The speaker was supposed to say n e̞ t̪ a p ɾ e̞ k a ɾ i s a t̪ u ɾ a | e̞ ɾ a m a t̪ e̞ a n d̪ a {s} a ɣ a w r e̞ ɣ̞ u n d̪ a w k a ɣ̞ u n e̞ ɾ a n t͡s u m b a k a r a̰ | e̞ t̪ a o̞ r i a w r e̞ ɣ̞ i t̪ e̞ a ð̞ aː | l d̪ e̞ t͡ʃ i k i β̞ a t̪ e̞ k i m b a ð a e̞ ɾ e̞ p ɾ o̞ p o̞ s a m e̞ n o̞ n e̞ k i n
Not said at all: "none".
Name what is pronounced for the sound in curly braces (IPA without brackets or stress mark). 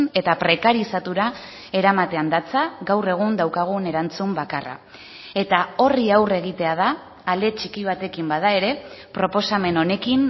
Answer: t͡s